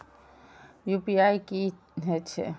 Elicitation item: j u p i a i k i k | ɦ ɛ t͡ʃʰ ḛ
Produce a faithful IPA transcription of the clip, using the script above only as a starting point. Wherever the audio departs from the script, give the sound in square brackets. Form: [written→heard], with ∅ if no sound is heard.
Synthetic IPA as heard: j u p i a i k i [k→∅] | ɦ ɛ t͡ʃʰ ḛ

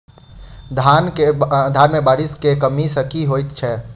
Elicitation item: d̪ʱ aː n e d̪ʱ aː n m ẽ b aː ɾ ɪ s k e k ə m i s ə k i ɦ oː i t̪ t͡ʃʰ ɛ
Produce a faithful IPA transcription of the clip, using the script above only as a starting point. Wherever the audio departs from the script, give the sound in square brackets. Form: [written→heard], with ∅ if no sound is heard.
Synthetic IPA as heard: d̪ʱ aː n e d̪ʱ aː n m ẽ b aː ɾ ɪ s k e k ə m i s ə k i ɦ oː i t̪ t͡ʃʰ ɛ

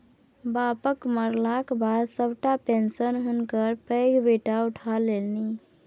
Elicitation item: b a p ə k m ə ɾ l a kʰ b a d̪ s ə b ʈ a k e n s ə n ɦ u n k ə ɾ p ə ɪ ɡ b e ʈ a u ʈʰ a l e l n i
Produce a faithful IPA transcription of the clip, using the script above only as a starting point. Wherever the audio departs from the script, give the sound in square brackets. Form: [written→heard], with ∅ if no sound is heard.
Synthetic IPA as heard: b a p ə k m ə ɾ l a [kʰ→k] b a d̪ s ə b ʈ a [k→p] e n s ə n ɦ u n k ə ɾ p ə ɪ ɡ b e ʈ a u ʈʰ a l e l n i

